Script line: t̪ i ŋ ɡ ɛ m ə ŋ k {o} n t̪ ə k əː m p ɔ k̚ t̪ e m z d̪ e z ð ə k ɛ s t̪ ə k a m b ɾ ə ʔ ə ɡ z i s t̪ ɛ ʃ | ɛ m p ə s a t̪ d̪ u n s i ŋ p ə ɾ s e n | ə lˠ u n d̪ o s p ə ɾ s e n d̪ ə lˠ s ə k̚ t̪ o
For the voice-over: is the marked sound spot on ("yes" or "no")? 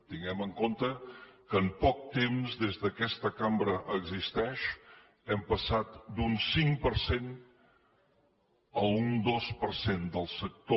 yes